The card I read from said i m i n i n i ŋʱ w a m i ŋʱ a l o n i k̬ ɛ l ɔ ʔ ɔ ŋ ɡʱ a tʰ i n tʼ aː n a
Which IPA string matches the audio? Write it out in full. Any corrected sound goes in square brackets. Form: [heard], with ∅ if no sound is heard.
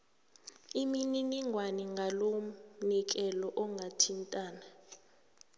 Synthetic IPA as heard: i m i n i n i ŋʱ w a [n] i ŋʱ a l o n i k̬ ɛ l ɔ ʔ ɔ ŋ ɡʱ a tʰ i n tʼ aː n a